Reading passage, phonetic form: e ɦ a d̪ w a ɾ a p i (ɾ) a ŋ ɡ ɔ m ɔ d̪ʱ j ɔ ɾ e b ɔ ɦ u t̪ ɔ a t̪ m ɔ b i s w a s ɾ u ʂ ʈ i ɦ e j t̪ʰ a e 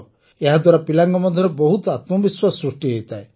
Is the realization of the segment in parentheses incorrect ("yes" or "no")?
yes